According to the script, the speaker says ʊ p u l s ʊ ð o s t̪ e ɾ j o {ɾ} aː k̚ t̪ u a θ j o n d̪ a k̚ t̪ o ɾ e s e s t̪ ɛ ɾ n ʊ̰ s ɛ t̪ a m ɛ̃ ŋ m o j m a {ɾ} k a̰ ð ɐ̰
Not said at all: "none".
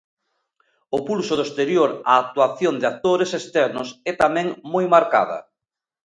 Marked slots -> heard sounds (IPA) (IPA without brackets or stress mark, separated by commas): ɾ, ɾ